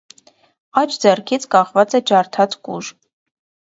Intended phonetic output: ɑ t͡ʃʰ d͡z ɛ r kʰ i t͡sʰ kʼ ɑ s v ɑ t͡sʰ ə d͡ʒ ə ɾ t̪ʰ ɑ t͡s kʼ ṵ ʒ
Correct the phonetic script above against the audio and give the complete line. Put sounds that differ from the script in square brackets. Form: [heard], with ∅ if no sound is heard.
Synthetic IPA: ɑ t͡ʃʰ d͡z ɛ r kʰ i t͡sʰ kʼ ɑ [χ] v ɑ [t͡s] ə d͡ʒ [ɑ] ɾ t̪ʰ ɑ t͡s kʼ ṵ ʒ